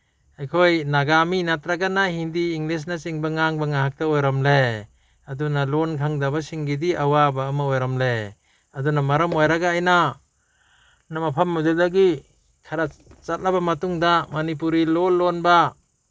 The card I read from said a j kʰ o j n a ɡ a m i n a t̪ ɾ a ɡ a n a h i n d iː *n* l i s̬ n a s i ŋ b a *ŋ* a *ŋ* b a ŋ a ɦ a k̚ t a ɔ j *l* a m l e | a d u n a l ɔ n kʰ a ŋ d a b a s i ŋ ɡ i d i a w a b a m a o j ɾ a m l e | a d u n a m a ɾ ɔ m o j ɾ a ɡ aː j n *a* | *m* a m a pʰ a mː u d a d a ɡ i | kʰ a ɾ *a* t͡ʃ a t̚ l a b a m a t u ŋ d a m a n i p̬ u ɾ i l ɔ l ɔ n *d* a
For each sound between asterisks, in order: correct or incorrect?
incorrect, correct, correct, incorrect, correct, incorrect, correct, incorrect

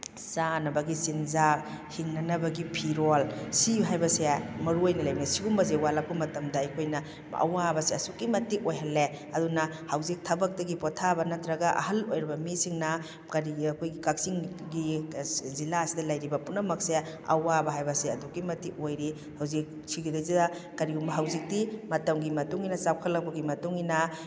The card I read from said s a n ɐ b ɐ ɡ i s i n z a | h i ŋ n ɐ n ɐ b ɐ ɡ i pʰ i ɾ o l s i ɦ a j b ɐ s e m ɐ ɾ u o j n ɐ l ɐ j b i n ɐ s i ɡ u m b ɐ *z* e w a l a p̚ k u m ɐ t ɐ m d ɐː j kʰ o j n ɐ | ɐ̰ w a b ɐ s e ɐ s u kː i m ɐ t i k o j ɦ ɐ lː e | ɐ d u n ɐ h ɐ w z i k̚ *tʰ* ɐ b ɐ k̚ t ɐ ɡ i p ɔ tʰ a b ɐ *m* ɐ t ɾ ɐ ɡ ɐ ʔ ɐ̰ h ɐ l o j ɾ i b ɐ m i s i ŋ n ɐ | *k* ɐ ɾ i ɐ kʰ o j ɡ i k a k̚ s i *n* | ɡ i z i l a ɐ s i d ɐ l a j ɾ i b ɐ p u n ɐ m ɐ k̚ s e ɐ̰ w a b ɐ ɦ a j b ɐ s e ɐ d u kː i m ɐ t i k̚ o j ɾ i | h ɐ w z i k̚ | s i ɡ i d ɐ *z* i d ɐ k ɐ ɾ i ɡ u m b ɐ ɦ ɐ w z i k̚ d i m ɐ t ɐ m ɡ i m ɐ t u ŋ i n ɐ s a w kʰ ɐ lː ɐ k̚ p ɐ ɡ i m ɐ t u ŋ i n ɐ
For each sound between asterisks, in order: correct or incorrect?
correct, correct, incorrect, correct, incorrect, correct

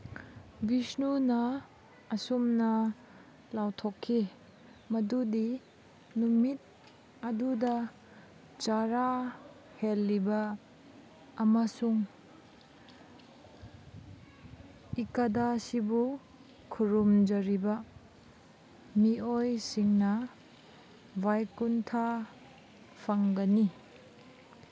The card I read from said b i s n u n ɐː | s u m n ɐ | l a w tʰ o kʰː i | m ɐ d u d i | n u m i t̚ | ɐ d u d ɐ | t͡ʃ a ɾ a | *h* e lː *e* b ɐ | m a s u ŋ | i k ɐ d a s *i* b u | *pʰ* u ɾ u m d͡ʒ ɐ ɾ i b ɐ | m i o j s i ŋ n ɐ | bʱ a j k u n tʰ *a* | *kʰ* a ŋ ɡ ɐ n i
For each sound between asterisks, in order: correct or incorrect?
correct, incorrect, correct, incorrect, correct, incorrect

